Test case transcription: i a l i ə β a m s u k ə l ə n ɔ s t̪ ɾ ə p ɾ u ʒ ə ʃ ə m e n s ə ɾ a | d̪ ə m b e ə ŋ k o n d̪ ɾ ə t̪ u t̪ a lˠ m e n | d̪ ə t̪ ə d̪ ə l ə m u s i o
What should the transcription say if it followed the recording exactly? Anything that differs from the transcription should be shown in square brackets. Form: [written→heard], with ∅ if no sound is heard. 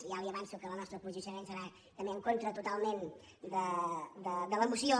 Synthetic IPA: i a l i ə β a [m→n] s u k ə l ə n ɔ s t̪ ɾ ə p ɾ u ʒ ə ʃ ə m e n s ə ɾ a | [d̪→t̪] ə m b e ə ŋ k o n [d̪→t̪] ɾ ə t̪ u t̪ a lˠ m e n | d̪ ə [t̪→d̪] ə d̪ ə l ə m u s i o